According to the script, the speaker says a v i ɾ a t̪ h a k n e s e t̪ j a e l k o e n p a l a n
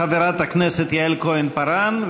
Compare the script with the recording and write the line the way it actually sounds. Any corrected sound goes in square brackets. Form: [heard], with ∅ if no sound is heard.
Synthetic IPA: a v [e] ɾ a t̪ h a k n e s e t̪ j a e l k o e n p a [ɾ] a n